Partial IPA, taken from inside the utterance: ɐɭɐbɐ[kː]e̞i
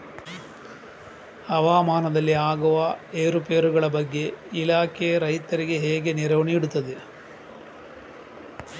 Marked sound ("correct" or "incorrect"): incorrect